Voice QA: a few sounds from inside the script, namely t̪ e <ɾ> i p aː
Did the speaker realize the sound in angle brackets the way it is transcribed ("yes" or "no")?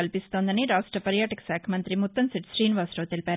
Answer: no